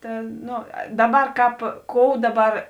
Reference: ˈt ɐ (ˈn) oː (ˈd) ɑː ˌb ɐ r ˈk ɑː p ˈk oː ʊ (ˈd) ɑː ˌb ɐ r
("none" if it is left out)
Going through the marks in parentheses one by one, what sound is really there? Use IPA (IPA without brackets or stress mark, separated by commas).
n, d, d